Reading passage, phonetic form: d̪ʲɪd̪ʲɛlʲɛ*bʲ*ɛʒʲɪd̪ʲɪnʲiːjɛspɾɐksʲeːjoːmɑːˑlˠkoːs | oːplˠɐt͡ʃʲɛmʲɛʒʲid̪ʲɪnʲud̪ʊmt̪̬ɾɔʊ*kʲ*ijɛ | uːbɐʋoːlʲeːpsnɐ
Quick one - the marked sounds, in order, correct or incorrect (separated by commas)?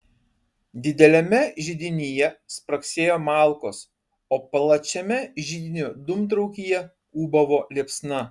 incorrect, correct